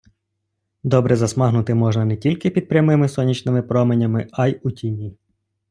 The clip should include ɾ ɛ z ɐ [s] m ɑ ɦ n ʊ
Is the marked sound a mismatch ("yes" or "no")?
no